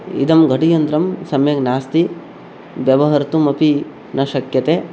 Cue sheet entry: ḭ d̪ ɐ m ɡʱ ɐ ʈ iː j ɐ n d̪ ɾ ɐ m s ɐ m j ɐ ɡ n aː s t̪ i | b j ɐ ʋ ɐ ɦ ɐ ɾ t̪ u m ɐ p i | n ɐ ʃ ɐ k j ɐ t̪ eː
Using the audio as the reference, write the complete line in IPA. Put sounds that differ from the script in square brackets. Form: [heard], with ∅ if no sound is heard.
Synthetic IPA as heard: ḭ d̪ ɐ m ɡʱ ɐ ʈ [i] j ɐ n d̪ ɾ ɐ m s ɐ m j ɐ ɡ n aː s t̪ i | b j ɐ ʋ ɐ ɦ ɐ ɾ t̪ u m ɐ p i | n ɐ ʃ ɐ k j ɐ t̪ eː